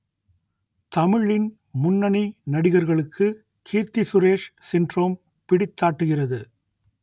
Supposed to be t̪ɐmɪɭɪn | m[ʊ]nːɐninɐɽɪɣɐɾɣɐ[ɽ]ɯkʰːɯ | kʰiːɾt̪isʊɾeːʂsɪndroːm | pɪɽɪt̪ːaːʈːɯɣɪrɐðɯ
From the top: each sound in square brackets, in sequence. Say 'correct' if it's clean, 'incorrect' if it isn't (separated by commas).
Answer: correct, incorrect